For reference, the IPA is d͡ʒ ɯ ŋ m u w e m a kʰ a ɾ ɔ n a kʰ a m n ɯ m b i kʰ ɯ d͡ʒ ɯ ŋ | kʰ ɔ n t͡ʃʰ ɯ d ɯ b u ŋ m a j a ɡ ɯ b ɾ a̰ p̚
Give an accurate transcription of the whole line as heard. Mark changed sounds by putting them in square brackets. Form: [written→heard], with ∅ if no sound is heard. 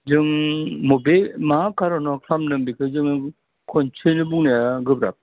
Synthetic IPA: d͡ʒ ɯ ŋ m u [w→b] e m a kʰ a ɾ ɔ n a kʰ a m n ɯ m b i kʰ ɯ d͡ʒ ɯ ŋ | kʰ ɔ n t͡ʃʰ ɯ [d→n] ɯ b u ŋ [m→n] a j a ɡ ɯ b ɾ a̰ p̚